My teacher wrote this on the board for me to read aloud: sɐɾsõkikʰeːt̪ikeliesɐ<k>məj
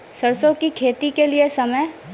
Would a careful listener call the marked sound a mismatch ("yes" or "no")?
yes